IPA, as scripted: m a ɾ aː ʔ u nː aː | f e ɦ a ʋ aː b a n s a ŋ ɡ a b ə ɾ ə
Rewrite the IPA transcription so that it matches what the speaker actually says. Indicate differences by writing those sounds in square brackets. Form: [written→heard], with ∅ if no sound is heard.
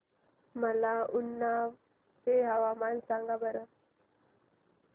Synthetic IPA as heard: m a [ɾ→l] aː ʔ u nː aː | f e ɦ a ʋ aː [b→m] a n s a ŋ ɡ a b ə ɾ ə